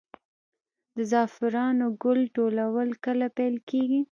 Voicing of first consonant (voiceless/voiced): voiced